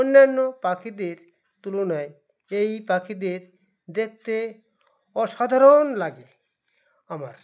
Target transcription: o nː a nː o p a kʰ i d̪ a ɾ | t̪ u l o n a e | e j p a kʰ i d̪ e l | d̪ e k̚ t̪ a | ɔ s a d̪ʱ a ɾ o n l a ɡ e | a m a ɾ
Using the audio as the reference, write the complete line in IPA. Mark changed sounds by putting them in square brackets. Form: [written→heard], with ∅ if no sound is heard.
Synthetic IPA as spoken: o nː a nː o p a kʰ i d̪ [a→e] ɾ | t̪ u l o n a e | e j p a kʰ i d̪ e [l→ɾ] | d̪ e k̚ t̪ [a→e] | ɔ [s→ʃ] a d̪ʱ a ɾ o n l a ɡ e | a m a ɾ